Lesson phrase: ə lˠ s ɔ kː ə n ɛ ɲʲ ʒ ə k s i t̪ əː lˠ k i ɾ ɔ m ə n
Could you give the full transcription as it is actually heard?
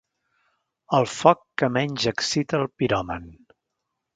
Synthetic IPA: ə lˠ f ɔ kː ə m ɛ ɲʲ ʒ ə k s i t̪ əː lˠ p i ɾ ɔ m ə n

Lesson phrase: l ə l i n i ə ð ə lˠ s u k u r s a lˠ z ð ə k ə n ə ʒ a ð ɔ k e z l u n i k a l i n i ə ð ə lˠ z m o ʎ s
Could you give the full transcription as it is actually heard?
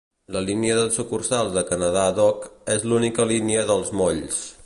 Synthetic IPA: l ə l i n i ə ð ə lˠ s u k u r s a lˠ z ð ə k ə n ə ð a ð ɔ k e z l u n i k ə l i n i ə ð ə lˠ z m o ʎ s

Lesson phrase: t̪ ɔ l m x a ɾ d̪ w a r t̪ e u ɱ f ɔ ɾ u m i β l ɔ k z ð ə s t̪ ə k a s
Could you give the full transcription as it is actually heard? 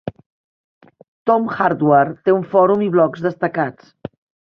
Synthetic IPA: t̪ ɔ m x a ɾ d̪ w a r t̪ e u ɱ f ɔ ɾ u m i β l ɔ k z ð ə s t̪ ə k a t͡s

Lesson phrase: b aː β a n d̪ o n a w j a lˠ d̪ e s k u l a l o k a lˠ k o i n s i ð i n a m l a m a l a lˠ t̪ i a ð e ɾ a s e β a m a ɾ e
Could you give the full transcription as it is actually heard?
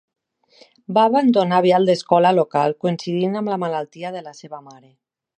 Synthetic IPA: b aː β a n d̪ o n a β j a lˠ d̪ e s k ɔ l a l o k a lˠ k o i n s i ð i n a m l a m a l a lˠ t̪ i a ð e l a s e β a m a ɾ e

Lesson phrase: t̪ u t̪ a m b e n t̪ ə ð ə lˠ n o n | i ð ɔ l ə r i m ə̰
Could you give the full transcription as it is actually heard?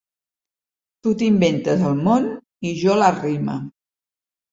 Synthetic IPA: t̪ u t̪ i m b e n t̪ ə z ə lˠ m o n | i ʒ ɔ l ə r i m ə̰

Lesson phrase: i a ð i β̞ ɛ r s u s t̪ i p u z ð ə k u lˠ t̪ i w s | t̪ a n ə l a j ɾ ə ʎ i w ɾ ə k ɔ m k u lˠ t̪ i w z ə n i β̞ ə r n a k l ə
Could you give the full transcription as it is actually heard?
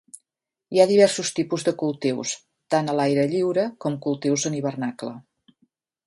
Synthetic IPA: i a ð i β̞ ɛ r s u s t̪ i p u z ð ə k u lˠ t̪ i w s | t̪ a n ə l a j ɾ ə ʎ i w ɾ ə k ɔ m k u lˠ t̪ i w z ə n i β̞ ə r n a k l ə

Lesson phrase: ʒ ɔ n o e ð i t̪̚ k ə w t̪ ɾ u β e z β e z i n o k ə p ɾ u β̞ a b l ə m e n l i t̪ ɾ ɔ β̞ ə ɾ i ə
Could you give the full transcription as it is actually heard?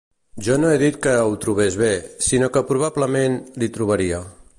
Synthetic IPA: ʒ ɔ n o e ð i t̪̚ k ə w t̪ ɾ u β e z β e s i n o k ə p ɾ u β̞ a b l ə m e n l i t̪ ɾ u β̞ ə ɾ i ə

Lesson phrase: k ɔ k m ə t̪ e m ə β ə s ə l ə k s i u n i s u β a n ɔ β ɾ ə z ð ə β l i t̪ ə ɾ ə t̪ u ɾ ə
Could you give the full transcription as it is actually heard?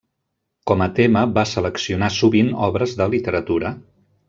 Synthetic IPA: k ɔ m ə t̪ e m ə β a s ə l ə k s i u n a s u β i n ɔ β ɾ ə z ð ə l i t̪ ə ɾ ə t̪ u ɾ ə

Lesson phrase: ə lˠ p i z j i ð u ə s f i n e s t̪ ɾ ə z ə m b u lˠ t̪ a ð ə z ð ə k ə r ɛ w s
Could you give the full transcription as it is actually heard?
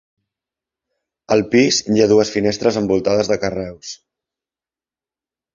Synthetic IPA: ə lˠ p i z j a ð u ə s f i n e s t̪ ɾ ə z ə m b u lˠ t̪ a ð ə z ð ə k ə r ɛ w s

